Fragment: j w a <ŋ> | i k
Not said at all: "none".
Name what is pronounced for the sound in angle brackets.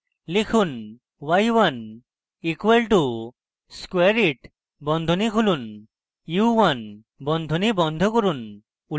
n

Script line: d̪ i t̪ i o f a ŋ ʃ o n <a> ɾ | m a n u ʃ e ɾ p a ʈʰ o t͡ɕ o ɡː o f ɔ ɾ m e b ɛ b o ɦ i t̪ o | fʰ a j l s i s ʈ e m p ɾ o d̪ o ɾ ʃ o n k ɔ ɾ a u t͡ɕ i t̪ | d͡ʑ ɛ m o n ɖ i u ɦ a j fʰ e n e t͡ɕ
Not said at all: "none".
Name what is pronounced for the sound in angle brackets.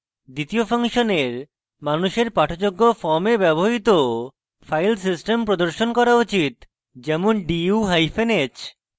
e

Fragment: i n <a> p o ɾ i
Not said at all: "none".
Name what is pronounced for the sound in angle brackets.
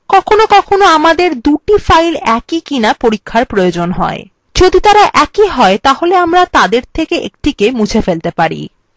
a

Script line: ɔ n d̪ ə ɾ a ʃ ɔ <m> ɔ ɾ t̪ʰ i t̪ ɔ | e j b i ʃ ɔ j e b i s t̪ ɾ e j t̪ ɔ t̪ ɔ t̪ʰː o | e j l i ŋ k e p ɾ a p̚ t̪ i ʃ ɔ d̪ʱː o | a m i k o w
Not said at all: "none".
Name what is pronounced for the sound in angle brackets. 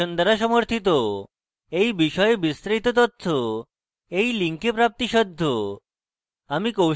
m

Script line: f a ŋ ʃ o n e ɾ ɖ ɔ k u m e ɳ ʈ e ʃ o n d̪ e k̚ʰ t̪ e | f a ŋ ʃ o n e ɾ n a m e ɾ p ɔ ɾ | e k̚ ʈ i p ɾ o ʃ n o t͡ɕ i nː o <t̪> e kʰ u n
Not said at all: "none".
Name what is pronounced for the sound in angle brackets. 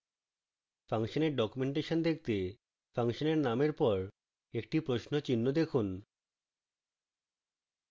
d̪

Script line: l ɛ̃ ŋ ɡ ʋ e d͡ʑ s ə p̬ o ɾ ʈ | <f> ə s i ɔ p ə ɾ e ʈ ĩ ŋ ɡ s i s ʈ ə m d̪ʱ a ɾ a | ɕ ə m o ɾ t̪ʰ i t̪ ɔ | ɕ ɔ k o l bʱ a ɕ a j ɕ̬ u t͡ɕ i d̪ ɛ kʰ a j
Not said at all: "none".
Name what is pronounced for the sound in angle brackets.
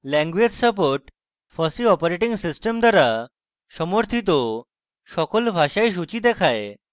f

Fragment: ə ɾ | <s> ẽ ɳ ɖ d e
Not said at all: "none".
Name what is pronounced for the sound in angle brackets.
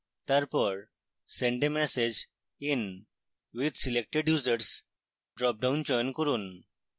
s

